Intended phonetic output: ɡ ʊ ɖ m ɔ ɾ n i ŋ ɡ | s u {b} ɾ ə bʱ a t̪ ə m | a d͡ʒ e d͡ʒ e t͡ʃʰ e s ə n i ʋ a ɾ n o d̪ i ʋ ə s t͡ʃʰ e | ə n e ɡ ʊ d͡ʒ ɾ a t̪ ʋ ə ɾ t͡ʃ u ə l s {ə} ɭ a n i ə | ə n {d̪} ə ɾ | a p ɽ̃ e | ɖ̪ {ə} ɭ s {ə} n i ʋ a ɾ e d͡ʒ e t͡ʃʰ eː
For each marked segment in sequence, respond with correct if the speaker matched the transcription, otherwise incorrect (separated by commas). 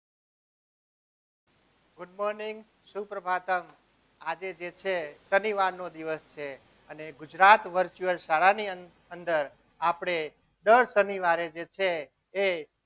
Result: incorrect, incorrect, correct, correct, correct